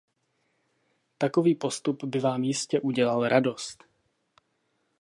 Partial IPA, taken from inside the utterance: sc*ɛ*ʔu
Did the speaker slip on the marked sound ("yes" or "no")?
no